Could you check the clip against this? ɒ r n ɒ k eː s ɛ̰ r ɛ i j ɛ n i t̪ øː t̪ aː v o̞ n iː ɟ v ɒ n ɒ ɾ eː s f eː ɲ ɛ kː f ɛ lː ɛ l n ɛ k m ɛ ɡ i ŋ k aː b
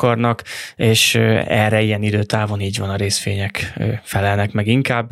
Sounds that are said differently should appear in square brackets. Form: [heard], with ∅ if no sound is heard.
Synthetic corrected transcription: ɒ r n ɒ k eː [ʃ] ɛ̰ r ɛ i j ɛ n i [d̪] øː t̪ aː v o̞ n iː ɟ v ɒ n ɒ ɾ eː s f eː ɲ ɛ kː f ɛ [l] ɛ l n ɛ k m ɛ ɡ i ŋ k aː b